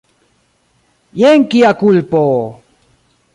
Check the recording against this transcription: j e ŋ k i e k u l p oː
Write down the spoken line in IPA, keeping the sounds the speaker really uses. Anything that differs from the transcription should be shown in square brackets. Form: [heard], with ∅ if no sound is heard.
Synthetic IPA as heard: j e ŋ k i [a] k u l p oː